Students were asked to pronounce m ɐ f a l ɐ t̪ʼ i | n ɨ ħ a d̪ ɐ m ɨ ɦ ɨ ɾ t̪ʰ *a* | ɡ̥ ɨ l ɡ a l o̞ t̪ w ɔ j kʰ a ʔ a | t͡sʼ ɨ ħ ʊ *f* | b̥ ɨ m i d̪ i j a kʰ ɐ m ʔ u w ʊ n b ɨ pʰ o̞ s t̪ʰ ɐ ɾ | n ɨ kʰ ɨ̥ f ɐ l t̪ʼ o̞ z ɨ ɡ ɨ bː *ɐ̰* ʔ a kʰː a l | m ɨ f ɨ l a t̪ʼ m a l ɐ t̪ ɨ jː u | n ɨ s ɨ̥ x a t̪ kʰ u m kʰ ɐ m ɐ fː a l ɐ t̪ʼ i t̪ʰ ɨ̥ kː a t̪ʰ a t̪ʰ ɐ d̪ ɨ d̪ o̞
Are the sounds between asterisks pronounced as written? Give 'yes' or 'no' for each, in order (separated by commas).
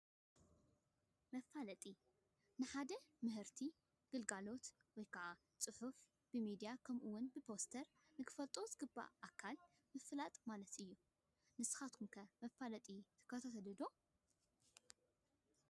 no, yes, no